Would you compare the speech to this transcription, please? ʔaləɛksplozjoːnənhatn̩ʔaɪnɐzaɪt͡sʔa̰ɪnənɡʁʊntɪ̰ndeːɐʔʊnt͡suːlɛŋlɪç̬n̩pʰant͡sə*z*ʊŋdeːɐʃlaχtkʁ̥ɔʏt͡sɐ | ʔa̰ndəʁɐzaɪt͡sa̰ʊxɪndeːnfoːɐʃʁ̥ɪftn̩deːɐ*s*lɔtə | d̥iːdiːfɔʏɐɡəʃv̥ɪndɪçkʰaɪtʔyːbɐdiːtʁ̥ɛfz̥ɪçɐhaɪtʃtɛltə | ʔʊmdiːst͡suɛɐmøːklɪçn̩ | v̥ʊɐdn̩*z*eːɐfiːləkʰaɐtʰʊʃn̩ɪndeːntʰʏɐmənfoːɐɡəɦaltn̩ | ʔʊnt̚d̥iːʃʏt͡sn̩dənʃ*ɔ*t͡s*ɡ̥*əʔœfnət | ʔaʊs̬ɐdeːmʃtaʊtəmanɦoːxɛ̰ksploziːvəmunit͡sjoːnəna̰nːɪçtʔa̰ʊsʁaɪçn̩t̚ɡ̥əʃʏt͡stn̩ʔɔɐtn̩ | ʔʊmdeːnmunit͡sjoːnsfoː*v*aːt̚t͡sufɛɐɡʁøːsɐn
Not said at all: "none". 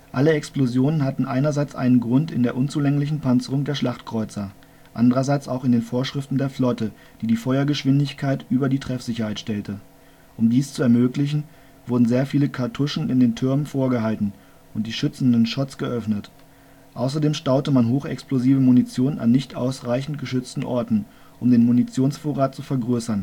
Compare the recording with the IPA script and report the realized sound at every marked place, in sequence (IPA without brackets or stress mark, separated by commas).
ʁ, f, z, ɔ, ɡ̥, ʁ